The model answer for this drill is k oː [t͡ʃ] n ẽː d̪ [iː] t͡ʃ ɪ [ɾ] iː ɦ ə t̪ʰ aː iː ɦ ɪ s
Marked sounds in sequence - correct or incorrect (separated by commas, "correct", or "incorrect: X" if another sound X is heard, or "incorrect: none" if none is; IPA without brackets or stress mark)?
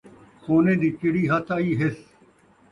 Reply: incorrect: none, correct, incorrect: ɽ